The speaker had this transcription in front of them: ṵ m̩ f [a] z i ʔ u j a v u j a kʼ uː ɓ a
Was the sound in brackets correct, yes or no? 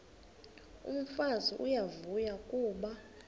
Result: yes